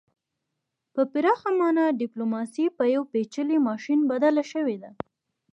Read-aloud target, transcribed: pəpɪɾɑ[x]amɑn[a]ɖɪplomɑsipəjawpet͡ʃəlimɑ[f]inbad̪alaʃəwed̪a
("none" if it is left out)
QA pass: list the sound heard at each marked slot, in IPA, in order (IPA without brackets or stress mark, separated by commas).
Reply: x, a, ʃ